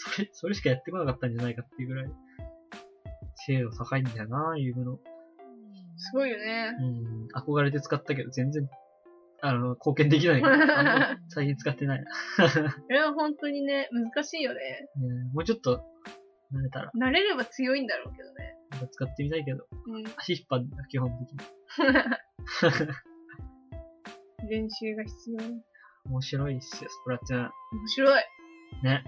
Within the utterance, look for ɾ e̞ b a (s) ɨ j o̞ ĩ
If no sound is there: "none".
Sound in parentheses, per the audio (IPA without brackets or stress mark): t͡s